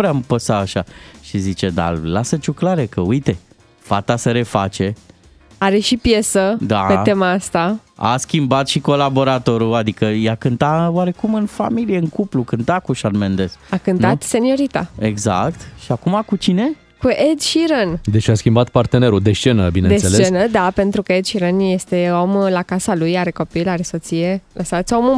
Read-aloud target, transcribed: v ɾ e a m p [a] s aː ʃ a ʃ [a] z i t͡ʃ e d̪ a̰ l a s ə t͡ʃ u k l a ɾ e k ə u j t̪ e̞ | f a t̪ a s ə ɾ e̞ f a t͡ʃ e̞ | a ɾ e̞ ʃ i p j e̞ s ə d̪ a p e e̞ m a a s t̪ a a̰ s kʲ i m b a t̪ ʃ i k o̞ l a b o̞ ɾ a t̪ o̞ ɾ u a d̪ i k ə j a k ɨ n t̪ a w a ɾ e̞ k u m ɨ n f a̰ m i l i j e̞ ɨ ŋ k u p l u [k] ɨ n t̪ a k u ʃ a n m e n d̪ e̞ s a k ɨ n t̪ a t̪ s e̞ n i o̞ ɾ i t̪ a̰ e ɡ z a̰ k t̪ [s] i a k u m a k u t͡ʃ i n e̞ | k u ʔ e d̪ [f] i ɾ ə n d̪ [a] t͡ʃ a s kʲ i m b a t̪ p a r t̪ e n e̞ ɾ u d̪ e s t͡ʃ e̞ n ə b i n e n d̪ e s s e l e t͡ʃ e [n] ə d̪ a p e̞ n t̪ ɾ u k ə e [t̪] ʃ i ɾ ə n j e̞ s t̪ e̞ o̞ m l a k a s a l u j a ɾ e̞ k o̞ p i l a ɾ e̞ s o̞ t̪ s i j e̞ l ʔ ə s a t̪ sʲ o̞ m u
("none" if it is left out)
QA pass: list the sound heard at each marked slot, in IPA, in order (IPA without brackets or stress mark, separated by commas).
ə, i, k, ʃ, ʃ, e, n, d̪